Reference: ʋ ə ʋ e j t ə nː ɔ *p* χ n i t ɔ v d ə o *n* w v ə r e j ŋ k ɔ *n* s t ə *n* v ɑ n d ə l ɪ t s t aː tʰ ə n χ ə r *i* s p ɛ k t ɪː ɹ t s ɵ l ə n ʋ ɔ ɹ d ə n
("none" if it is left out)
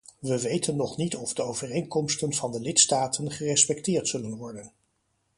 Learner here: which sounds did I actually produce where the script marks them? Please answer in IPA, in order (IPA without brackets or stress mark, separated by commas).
none, none, m, n, ɛ